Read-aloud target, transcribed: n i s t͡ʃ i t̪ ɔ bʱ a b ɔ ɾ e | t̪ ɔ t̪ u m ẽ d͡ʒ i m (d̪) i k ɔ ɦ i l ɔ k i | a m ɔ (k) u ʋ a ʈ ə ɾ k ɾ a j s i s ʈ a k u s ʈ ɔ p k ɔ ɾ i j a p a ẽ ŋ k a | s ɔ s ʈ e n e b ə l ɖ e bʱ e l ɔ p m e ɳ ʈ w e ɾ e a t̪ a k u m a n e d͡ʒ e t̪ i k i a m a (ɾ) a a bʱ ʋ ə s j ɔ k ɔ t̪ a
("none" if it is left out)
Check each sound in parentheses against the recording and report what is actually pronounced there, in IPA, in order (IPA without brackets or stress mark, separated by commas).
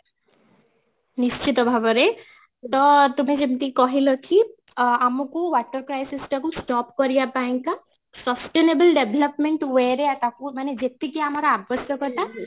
t̪, k, ɾ